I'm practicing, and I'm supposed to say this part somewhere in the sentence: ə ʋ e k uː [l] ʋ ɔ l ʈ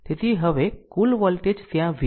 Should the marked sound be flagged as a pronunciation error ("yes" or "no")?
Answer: no